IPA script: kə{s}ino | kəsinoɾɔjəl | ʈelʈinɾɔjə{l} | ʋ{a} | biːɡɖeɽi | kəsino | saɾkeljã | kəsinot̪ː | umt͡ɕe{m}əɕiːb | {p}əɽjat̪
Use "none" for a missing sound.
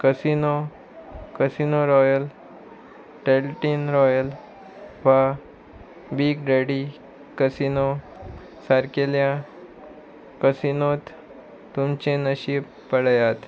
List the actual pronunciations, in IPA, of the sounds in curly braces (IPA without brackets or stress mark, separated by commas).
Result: s, l, a, n, p